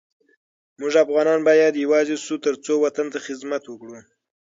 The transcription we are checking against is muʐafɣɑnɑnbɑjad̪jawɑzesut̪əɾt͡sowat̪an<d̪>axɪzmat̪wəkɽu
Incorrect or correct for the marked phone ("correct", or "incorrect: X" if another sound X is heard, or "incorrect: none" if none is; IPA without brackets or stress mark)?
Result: incorrect: t̪